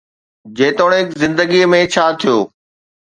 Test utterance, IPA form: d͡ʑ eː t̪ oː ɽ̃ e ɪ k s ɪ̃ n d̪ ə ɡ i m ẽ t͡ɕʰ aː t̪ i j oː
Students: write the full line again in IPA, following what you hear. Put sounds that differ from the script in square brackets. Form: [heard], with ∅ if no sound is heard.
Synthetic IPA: d͡ʑ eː t̪ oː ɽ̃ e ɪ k [z] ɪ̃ n d̪ ə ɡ i m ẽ t͡ɕʰ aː [t̪ʰ] i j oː